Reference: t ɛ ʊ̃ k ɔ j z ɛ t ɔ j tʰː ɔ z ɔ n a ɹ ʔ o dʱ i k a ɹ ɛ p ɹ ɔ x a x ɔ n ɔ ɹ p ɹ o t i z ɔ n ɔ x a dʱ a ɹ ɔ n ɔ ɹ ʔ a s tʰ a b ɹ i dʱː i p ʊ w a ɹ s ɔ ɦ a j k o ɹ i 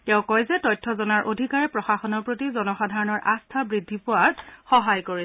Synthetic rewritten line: t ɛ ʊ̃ k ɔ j z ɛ t ɔ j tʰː ɔ z ɔ n a ɹ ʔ o dʱ i k a ɹ ɛ p ɹ ɔ x a x ɔ n ɔ ɹ p ɹ o t i z ɔ n ɔ x a dʱ a ɹ ɔ n ɔ ɹ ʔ a s tʰ a b ɹ i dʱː i p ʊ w a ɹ x ɔ ɦ a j k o ɹ i